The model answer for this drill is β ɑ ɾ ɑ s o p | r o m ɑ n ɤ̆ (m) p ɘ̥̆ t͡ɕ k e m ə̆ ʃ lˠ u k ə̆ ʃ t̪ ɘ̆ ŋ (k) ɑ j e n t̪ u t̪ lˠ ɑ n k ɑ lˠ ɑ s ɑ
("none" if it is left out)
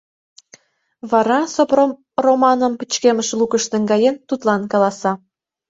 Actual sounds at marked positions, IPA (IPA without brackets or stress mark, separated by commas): m, ɡ